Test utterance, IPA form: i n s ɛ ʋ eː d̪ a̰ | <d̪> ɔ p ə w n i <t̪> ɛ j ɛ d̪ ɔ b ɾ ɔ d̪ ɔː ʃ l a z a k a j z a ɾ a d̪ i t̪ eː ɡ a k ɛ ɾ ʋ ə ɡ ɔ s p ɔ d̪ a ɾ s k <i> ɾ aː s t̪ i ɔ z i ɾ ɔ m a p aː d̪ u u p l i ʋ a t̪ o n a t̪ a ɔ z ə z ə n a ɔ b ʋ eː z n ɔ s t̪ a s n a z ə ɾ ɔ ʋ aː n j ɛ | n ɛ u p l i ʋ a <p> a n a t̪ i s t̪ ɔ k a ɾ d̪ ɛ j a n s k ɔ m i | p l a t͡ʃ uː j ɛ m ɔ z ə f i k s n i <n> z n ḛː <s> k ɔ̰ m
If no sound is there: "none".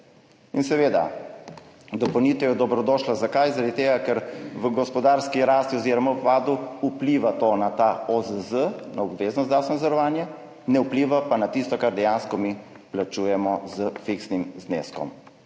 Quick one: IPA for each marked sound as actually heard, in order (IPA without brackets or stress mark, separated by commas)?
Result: d̪, t̪, i, p, m, s